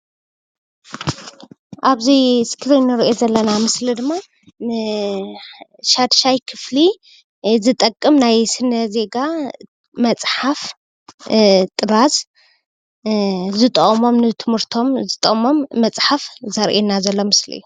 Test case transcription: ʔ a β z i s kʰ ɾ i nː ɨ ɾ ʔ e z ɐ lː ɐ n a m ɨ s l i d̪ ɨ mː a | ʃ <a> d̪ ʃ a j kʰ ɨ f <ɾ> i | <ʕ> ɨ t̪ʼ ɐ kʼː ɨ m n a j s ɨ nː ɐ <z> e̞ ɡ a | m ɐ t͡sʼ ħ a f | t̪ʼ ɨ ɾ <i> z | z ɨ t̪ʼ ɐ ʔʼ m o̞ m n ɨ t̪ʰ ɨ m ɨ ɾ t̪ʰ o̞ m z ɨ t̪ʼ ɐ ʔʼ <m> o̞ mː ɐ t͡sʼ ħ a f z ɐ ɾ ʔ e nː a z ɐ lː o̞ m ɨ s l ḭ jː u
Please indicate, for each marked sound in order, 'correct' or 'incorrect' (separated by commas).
correct, incorrect, incorrect, correct, incorrect, correct